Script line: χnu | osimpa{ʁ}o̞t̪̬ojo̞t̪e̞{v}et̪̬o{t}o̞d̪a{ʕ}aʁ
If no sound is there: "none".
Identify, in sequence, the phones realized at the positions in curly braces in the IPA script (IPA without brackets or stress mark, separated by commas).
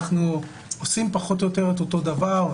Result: χ, ʁ, t, v